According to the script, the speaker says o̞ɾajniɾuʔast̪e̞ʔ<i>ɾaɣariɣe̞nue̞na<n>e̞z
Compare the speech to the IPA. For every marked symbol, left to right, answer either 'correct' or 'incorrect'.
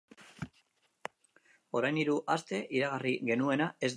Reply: correct, incorrect: none

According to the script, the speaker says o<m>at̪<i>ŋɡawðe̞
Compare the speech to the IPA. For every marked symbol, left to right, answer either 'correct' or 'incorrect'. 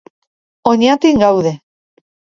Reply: incorrect: ɲ, correct

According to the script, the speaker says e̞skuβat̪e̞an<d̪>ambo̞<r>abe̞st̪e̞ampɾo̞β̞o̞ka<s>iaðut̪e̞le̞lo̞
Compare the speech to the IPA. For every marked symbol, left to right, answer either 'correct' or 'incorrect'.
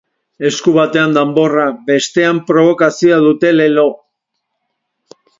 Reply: correct, correct, correct

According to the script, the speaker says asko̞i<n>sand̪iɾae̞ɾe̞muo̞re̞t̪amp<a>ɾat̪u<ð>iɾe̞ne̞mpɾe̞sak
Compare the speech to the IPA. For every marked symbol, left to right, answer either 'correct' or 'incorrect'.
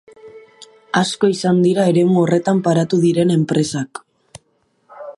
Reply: incorrect: none, correct, correct

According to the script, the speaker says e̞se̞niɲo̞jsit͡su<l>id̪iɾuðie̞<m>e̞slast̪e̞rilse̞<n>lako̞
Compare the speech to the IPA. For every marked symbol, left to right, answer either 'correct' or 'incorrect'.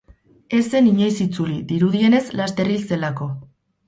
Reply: correct, incorrect: n, incorrect: none

